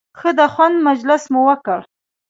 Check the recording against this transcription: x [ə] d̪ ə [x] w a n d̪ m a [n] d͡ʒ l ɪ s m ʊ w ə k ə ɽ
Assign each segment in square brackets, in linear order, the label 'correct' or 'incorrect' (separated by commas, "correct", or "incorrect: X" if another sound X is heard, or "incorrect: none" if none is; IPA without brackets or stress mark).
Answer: correct, correct, incorrect: none